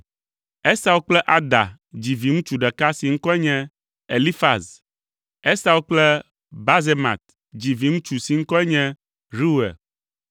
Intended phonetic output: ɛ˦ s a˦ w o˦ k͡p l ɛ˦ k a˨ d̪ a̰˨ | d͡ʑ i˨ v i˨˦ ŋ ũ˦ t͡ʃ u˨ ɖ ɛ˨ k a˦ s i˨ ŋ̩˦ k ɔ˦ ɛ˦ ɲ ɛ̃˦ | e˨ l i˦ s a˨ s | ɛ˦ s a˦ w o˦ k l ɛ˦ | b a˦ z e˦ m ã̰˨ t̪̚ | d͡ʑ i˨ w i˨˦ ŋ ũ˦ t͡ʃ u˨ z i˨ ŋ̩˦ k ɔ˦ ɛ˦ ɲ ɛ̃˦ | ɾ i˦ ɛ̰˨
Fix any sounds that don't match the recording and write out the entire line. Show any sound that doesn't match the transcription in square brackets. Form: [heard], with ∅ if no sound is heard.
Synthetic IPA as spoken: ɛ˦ s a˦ w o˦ k͡p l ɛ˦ [ʔ] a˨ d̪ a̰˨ | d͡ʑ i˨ v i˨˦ ŋ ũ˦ t͡ʃ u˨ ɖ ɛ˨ k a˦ s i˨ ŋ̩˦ k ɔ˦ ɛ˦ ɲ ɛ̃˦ | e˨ l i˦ [f] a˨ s | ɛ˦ s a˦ w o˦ [k͡p] l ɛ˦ | b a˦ z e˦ m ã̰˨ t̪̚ | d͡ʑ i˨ [v] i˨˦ ŋ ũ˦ t͡ʃ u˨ [s] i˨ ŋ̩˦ k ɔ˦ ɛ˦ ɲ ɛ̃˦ | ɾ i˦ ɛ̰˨